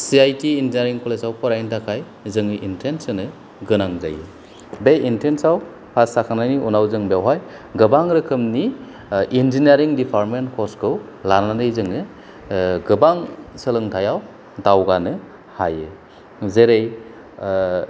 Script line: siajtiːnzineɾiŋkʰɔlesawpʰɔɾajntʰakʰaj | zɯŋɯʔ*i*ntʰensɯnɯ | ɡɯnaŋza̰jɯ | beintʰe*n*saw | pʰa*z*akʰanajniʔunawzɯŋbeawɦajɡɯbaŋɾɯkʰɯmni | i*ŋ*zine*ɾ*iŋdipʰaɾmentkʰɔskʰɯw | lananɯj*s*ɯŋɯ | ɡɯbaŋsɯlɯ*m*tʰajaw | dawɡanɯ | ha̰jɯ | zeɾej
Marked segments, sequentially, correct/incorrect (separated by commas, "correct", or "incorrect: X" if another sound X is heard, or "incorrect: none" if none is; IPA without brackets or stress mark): correct, correct, incorrect: s, incorrect: n, correct, incorrect: z, incorrect: ŋ